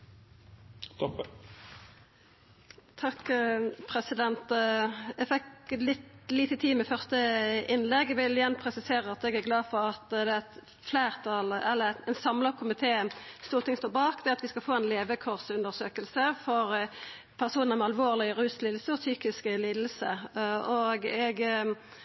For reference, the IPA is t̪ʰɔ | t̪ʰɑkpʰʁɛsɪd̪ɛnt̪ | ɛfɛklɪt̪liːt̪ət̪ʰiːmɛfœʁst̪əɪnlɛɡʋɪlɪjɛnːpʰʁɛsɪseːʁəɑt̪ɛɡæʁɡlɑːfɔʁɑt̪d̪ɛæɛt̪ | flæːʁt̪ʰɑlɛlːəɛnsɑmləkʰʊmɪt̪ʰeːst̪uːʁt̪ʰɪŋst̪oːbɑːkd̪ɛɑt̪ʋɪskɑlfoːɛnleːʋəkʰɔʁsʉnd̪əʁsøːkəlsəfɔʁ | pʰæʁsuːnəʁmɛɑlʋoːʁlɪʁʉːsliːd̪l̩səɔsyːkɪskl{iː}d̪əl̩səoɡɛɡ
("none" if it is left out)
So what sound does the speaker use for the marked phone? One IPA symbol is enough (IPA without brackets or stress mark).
iː